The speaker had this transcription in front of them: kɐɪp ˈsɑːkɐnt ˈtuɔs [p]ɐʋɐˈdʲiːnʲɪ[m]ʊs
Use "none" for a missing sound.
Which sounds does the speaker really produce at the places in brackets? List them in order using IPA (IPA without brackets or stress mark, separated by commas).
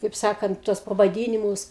p, m